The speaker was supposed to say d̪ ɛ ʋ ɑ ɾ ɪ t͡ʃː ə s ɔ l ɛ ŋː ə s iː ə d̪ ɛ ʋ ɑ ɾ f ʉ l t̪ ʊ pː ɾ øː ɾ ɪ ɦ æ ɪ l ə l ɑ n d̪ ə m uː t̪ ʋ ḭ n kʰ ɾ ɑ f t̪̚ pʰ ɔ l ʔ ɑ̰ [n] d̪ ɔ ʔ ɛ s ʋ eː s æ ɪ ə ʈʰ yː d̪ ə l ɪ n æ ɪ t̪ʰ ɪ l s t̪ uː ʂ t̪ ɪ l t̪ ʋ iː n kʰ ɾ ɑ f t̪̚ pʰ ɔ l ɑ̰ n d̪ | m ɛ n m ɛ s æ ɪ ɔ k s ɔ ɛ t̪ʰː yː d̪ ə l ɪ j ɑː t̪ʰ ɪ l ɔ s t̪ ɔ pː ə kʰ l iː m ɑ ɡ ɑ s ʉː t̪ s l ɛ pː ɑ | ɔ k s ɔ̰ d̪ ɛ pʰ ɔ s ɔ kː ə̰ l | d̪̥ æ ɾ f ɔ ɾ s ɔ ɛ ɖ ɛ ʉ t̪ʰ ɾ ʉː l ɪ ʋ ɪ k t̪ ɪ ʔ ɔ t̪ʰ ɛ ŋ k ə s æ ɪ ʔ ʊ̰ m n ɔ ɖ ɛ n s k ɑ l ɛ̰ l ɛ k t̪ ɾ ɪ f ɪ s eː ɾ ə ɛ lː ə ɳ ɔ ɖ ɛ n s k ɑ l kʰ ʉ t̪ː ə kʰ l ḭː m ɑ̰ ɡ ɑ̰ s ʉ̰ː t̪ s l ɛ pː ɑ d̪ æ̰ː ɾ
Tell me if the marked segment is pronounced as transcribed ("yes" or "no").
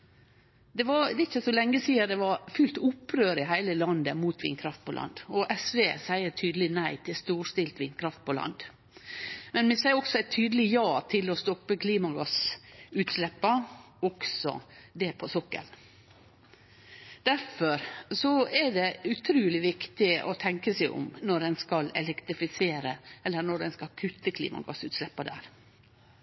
yes